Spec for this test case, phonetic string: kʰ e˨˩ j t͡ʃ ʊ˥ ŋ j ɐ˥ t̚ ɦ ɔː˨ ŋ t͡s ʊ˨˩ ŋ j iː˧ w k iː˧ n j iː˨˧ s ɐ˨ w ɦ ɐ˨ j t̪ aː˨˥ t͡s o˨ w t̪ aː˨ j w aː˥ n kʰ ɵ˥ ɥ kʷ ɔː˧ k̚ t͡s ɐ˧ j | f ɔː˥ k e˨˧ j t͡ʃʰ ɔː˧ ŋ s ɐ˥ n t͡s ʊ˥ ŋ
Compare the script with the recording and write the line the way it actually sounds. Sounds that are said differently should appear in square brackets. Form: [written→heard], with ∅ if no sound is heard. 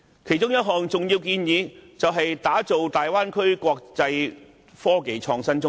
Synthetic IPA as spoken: kʰ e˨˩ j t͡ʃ ʊ˥ ŋ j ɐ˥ t̚ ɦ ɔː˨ ŋ t͡s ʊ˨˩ ŋ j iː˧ w k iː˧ n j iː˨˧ [s→t͡s] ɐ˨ w ɦ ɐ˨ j t̪ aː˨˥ t͡s o˨ w t̪ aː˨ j w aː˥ n kʰ ɵ˥ ɥ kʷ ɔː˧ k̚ t͡s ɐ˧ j | f ɔː˥ k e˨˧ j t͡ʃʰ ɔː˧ ŋ s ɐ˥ n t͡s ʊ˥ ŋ